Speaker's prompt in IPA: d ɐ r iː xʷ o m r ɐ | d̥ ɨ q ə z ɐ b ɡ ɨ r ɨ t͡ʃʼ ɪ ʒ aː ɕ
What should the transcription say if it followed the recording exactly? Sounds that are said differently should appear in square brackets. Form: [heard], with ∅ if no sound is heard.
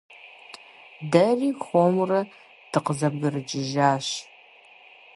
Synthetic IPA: d ɐ r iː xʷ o m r ɐ | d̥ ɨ q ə z ɐ b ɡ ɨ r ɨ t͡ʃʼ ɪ ʒ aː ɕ